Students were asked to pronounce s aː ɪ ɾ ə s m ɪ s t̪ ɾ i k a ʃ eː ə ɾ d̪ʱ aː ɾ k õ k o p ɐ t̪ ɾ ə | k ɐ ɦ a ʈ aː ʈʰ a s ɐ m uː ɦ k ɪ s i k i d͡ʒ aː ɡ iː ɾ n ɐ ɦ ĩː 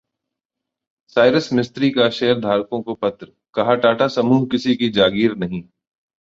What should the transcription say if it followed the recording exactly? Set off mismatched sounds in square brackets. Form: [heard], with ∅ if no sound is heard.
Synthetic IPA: s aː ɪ ɾ ə s m ɪ s t̪ ɾ i k a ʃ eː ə ɾ d̪ʱ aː ɾ k õ k o p ɐ t̪ ɾ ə | k ɐ ɦ a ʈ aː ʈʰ a s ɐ m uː ɦ k ɪ s i k i d͡ʒ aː ɡ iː ɾ n ɐ ɦ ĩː

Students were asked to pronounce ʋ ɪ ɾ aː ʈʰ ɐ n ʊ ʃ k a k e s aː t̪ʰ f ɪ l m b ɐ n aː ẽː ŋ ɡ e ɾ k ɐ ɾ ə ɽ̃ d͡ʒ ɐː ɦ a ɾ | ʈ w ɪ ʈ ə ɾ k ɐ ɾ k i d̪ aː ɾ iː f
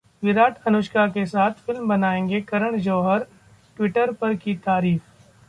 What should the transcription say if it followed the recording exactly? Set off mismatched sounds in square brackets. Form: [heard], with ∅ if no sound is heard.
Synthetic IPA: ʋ ɪ ɾ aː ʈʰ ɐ n ʊ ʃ k a k e s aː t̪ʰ f ɪ l m b ɐ n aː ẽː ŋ ɡ e [∅] k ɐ ɾ ə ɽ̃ d͡ʒ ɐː ɦ [ə] ɾ | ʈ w ɪ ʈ ə ɾ [p] ɐ ɾ k i [t̪] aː ɾ iː f

